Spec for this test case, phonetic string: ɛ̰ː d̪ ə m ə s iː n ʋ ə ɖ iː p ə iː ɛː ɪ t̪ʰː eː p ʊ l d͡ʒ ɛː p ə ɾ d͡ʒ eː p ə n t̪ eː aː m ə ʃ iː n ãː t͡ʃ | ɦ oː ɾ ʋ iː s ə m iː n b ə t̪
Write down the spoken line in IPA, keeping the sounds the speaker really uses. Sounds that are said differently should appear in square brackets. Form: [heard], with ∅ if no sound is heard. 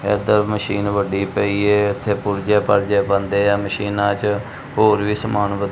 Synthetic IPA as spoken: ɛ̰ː d̪ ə m ə [ʃ] iː n ʋ ə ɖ iː p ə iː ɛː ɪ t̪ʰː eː p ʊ [ɾ] d͡ʒ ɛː p ə ɾ d͡ʒ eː p ə n [d̪] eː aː m ə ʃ iː n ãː t͡ʃ | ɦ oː ɾ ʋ iː s ə m [aː] n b ə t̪